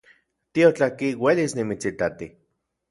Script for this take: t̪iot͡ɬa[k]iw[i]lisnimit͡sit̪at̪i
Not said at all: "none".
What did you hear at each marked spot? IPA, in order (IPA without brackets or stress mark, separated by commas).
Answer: k, e